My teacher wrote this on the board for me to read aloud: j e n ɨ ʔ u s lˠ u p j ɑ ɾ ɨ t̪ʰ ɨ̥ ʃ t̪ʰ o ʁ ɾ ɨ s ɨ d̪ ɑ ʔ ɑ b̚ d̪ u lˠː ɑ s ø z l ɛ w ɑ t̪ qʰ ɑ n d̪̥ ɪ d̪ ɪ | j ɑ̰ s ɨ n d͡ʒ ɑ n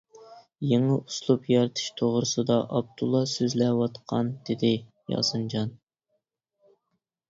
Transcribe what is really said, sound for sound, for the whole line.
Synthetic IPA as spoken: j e ŋ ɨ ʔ u s lˠ u p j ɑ ɾ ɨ t̪ʰ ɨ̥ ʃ t̪ʰ o ʁ ɾ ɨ s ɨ d̪ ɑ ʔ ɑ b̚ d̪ u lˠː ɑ s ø z l ɛ w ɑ t̪ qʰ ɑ n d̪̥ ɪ d̪ ɪ | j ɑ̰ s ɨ n d͡ʒ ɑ n

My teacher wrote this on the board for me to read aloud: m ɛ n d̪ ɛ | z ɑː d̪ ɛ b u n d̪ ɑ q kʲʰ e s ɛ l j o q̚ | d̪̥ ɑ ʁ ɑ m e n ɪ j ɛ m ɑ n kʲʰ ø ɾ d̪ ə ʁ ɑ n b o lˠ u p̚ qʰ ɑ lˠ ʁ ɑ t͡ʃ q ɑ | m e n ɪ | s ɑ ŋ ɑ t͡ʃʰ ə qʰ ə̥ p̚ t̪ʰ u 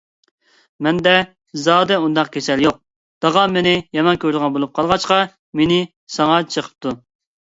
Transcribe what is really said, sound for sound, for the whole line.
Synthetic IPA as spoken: m ɛ n d̪ ɛ | z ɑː d̪ ɛ u n d̪ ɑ q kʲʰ e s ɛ l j o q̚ | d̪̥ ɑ ʁ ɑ m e n ɪ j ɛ m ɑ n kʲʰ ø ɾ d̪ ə ʁ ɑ n b o lˠ u p̚ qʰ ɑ lˠ ʁ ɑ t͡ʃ q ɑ | m e n ɪ | s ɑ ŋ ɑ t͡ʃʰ ə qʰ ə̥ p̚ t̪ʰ u

